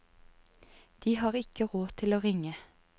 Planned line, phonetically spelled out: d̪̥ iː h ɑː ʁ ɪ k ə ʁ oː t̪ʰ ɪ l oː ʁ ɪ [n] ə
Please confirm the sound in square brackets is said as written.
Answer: no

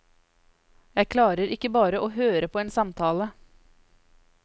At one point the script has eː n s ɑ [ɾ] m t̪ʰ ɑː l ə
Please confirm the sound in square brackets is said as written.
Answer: no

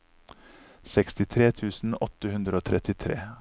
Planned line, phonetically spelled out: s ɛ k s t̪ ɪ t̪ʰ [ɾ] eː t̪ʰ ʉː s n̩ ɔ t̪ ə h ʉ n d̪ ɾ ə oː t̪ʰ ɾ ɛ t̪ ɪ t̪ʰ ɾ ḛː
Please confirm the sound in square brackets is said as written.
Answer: yes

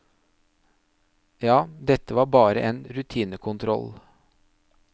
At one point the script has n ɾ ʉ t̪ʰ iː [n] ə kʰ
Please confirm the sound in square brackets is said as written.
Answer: yes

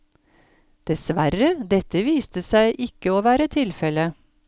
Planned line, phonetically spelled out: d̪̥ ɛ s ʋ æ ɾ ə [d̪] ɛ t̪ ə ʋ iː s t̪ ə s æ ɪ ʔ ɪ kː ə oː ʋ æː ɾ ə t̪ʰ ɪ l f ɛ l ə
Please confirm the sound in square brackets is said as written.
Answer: yes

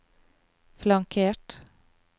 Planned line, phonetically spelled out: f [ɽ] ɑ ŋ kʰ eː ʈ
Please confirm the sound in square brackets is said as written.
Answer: no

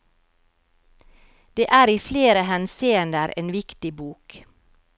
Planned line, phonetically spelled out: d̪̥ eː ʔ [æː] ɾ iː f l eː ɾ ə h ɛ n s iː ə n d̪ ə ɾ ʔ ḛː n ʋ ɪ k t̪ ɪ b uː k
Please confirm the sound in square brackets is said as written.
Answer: yes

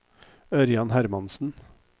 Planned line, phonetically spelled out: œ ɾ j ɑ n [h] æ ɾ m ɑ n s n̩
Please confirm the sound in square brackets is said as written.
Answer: yes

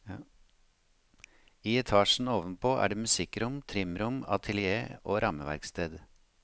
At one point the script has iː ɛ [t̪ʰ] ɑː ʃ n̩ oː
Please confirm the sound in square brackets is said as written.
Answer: yes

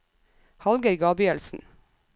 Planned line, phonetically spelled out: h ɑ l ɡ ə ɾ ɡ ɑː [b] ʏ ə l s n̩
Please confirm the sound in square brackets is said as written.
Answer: yes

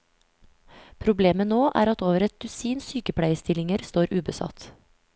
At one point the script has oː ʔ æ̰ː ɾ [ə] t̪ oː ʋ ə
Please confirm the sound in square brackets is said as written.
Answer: no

